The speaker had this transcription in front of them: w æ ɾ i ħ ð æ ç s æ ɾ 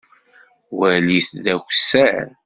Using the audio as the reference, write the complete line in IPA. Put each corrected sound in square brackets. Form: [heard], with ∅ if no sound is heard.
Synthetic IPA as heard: w æ [l] i [θ] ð æ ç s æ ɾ